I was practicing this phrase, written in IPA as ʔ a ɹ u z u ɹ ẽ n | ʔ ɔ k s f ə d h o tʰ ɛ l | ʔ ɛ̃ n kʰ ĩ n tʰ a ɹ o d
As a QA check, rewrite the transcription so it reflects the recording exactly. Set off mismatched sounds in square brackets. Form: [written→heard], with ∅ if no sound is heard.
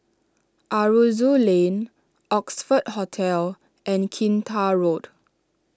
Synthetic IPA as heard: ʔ a ɹ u z u [ɹ→l] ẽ n | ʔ ɔ k s f ə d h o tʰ ɛ l | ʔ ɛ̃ n kʰ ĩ n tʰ a ɹ o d